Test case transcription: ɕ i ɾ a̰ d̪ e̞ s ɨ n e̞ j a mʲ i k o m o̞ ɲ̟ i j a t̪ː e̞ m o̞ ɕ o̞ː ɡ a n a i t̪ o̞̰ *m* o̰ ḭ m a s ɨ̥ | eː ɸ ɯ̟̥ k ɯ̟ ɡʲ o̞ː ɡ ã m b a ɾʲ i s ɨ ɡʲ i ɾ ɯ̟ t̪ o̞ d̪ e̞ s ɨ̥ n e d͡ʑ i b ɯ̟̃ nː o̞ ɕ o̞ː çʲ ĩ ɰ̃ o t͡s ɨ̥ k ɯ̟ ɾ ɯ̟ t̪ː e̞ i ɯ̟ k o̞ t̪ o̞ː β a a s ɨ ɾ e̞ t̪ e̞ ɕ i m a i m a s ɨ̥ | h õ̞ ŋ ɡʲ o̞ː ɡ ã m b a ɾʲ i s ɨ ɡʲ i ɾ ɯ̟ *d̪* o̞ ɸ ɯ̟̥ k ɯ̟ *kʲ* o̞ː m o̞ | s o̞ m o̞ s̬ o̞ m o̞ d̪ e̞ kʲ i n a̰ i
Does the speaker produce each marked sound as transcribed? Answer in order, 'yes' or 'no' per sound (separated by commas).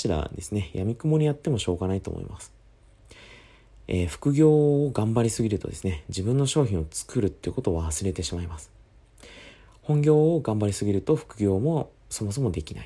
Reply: yes, no, no